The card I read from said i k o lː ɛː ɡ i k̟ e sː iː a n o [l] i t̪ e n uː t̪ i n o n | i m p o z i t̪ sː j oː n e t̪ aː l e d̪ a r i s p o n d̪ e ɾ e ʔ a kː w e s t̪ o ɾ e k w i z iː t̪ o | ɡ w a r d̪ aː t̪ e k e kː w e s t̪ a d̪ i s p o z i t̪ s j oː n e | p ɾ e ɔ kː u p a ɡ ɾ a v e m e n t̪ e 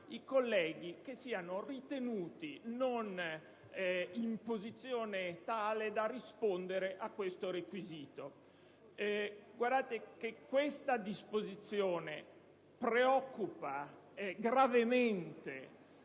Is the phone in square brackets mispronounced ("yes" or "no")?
yes